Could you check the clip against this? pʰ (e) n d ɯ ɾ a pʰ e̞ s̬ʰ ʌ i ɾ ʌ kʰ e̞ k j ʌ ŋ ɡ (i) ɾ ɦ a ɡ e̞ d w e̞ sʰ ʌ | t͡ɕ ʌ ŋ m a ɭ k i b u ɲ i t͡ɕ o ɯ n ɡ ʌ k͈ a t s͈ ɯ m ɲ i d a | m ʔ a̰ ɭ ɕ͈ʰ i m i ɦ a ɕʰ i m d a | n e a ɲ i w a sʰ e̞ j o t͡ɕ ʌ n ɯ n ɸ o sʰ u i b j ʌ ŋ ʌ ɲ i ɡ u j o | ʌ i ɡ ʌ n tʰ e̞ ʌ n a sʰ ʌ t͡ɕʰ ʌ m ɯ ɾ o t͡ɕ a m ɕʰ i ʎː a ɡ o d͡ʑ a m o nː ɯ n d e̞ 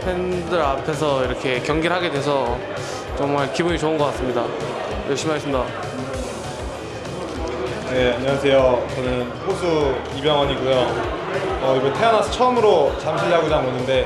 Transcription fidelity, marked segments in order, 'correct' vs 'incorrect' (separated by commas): correct, correct